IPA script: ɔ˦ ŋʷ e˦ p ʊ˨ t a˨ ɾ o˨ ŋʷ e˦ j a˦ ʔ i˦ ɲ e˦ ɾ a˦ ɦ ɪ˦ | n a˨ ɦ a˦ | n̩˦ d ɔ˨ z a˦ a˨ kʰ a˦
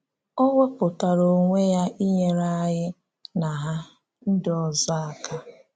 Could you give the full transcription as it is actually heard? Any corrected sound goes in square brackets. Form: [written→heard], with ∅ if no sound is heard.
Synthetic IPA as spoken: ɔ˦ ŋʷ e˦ p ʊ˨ t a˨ ɾ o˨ ŋʷ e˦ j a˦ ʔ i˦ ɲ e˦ ɾ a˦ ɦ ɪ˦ | n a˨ ɦ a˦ | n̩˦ d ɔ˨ z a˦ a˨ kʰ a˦